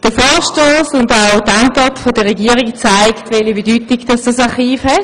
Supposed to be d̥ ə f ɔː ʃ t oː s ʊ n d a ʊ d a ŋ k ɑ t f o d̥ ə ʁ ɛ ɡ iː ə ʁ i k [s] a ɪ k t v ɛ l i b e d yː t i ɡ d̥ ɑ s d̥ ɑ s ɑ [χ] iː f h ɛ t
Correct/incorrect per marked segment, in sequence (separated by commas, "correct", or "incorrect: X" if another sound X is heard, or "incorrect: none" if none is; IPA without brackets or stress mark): incorrect: t͡s, correct